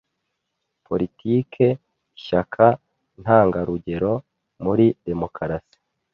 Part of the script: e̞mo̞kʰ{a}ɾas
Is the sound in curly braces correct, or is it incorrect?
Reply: correct